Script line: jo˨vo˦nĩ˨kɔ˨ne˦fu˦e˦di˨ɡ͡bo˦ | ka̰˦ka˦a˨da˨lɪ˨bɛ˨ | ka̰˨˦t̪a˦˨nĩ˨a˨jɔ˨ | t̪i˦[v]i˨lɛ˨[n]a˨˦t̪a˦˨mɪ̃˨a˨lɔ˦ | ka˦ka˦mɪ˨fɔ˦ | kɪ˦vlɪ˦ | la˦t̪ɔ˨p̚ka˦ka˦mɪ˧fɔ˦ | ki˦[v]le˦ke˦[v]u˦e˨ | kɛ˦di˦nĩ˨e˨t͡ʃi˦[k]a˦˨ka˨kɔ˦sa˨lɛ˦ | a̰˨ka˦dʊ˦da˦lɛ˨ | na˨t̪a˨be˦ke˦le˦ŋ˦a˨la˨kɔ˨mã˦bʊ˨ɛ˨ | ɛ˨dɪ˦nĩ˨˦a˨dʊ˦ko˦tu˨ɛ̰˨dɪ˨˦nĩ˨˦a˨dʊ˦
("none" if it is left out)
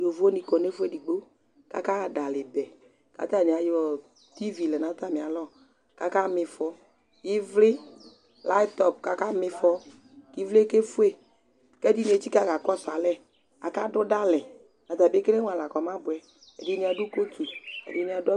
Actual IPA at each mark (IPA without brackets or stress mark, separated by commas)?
v, n, v, f, k